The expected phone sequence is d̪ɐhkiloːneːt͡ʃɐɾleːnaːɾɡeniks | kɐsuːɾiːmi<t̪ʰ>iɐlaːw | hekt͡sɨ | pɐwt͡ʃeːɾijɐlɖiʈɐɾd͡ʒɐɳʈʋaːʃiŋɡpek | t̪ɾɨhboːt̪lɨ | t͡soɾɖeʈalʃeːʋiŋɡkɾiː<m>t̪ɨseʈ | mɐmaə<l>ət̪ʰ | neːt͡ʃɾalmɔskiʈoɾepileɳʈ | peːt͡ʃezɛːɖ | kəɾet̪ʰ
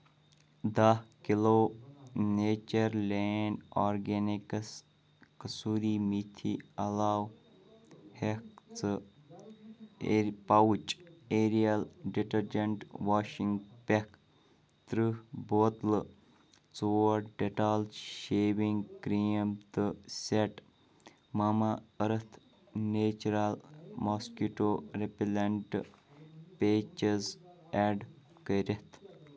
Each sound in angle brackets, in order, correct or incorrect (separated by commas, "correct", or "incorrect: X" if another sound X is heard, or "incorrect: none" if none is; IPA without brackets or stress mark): correct, correct, incorrect: ɾ